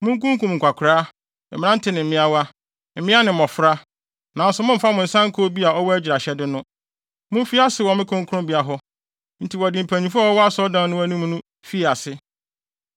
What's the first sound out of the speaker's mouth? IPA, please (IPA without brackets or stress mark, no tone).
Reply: m